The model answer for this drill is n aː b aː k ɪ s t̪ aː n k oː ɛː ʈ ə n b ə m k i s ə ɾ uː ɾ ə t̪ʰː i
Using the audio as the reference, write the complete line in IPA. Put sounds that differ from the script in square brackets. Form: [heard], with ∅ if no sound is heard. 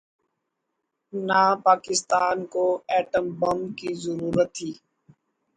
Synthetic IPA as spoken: n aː [p] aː k ɪ s t̪ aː n k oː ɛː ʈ ə [m] b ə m k i [z] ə ɾ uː ɾ ə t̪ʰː [iː]